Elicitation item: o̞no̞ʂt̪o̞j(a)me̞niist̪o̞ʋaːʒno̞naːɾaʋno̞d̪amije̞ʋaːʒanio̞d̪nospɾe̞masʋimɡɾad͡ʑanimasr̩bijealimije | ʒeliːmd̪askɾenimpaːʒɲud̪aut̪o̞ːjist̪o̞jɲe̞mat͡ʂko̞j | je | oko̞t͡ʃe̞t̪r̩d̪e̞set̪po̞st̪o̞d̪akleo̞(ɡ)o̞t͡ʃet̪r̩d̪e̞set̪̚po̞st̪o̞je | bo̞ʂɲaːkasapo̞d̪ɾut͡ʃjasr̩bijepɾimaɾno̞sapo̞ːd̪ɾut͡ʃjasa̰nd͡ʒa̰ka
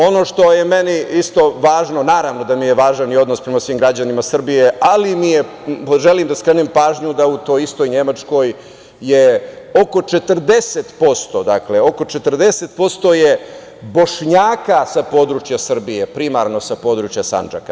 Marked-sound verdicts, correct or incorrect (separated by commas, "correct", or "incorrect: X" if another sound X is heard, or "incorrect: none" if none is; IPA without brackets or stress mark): incorrect: e, incorrect: k